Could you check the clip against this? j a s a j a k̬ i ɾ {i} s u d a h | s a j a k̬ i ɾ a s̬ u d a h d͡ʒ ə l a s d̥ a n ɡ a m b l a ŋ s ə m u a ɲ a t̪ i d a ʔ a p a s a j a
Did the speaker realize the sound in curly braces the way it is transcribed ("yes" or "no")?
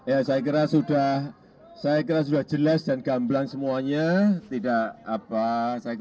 no